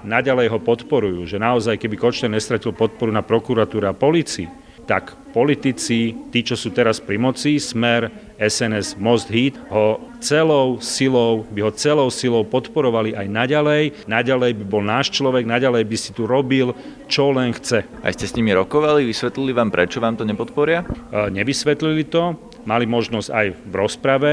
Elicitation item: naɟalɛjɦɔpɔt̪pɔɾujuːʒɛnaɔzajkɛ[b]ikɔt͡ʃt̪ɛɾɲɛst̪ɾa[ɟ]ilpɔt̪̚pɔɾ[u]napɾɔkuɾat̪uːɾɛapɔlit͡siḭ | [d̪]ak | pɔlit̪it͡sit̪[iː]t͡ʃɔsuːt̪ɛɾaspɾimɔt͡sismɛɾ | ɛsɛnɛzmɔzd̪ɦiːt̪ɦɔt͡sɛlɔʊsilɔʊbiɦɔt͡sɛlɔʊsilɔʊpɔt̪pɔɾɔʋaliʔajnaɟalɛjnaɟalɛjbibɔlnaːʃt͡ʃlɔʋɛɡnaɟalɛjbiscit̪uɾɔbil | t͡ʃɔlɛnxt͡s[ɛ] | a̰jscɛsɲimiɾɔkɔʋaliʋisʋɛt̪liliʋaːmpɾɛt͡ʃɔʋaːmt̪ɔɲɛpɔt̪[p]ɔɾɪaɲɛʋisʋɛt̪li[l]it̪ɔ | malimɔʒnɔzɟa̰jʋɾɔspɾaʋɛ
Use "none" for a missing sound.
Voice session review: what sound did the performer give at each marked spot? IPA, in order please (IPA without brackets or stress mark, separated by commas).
b, c, u, t̪, iː, ɛ, p, l